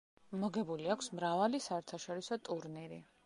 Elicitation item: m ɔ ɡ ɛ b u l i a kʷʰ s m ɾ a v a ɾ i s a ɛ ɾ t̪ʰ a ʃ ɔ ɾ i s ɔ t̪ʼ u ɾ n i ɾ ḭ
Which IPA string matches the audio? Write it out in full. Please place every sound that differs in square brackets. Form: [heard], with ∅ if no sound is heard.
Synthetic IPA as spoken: m ɔ ɡ ɛ b u l i a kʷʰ s m ɾ a v a [l] i s a ɛ ɾ t̪ʰ a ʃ ɔ ɾ i s ɔ t̪ʼ u ɾ n i ɾ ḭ